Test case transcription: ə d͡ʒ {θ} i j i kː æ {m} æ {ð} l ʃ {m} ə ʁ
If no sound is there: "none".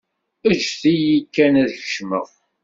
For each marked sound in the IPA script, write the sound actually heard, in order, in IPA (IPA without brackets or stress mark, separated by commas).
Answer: θ, n, ð, m